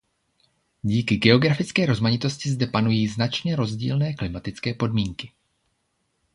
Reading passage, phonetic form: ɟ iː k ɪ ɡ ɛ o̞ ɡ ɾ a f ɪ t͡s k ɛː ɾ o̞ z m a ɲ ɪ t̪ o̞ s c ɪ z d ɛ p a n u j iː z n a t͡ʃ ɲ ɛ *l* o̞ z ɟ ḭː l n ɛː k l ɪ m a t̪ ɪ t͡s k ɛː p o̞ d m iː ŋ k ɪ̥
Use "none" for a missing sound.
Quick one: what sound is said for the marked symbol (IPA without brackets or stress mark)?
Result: ɾ